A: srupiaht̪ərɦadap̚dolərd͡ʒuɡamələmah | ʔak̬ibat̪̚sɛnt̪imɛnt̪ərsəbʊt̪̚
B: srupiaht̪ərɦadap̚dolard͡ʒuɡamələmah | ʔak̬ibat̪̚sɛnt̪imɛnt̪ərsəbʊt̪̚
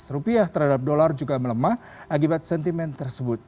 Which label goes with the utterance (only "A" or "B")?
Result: B